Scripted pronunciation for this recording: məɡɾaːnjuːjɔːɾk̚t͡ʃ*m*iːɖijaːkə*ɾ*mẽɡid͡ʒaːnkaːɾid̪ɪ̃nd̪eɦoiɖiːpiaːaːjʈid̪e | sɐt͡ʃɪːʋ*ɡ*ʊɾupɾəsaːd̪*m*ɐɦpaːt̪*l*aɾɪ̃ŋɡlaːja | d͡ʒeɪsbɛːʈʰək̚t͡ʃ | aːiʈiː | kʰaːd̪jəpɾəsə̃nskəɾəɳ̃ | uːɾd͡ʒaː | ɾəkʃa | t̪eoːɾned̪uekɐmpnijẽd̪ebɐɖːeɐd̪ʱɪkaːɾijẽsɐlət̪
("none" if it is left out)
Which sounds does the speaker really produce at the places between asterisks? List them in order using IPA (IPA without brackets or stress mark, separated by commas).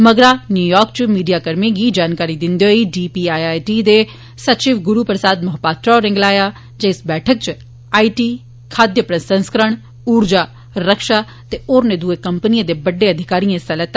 m, ɾ, ɡ, m, ɾ